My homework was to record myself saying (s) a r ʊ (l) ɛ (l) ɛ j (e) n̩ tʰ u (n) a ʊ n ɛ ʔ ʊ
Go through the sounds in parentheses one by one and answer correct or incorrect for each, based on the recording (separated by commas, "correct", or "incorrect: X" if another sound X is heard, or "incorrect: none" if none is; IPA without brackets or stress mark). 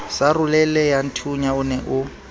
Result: correct, correct, correct, incorrect: a, incorrect: ɲ